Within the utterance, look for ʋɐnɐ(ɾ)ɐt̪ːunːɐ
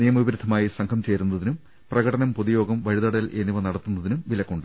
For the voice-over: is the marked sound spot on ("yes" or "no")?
no